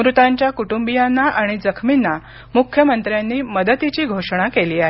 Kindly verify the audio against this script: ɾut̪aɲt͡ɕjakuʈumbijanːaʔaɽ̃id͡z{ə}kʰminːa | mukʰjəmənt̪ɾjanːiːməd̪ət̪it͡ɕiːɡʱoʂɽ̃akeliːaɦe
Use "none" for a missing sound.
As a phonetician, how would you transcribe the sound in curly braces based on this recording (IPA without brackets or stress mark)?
ə